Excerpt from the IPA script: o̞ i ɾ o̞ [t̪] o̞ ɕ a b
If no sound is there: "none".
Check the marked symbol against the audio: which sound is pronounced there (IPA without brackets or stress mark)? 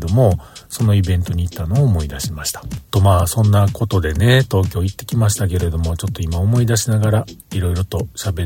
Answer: t̪